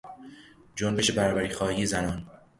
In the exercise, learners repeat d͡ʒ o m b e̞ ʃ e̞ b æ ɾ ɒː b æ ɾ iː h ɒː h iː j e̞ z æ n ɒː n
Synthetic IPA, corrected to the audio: d͡ʒ o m b e̞ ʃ e̞ b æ ɾ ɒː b æ ɾ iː x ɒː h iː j e̞ z æ n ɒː n